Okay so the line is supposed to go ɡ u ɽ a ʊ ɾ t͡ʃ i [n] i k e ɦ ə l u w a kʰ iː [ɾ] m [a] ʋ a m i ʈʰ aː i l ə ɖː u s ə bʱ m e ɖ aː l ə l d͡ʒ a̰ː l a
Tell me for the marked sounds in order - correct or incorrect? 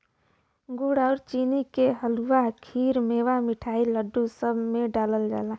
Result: correct, correct, incorrect: e

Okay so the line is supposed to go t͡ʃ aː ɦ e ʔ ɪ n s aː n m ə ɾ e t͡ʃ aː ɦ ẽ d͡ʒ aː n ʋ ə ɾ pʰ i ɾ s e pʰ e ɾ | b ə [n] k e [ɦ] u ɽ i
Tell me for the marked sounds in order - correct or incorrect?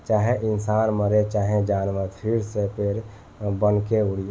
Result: correct, incorrect: none

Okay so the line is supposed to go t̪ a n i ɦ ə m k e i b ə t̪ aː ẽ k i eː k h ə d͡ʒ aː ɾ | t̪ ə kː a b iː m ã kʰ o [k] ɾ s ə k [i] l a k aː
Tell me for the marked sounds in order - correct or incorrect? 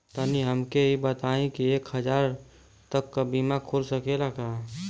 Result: incorrect: none, incorrect: e

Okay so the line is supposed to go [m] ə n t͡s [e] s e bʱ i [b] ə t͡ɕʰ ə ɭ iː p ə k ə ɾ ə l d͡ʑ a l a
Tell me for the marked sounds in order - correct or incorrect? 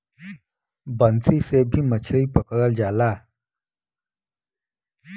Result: incorrect: b, incorrect: i, incorrect: m

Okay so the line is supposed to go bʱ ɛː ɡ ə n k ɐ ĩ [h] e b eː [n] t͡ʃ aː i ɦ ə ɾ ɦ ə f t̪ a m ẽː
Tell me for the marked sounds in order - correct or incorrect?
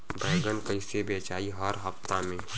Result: incorrect: s, incorrect: none

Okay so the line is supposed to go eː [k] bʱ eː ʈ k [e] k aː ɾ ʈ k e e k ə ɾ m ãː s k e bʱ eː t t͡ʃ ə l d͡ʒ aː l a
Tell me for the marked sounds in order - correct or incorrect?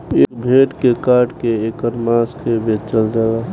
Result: correct, correct

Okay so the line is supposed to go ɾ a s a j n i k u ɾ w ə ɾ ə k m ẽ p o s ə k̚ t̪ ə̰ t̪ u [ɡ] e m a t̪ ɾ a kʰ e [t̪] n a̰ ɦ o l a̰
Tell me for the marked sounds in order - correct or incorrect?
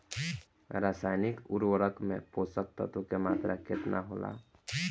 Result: incorrect: k, correct

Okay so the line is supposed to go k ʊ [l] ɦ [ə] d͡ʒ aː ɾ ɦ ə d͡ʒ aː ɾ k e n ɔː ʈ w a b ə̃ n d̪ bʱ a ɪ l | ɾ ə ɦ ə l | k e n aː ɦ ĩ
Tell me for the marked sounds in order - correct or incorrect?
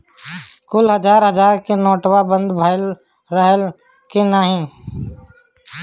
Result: correct, correct

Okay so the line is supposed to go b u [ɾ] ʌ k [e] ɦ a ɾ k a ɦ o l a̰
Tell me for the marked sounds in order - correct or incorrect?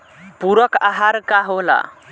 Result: correct, incorrect: a

